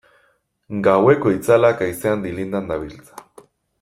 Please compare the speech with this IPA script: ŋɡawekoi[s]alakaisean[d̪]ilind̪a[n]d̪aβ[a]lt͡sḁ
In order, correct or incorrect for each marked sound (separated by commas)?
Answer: incorrect, correct, correct, incorrect